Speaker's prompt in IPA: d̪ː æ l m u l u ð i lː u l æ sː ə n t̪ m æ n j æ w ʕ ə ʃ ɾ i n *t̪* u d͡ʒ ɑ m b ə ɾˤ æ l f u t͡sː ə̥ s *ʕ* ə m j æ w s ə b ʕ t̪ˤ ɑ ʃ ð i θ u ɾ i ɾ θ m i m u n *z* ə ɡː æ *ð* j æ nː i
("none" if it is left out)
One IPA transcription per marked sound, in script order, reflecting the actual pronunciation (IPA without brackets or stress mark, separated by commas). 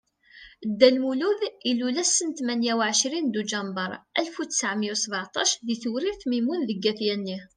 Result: d̪, ʕ, ð, θ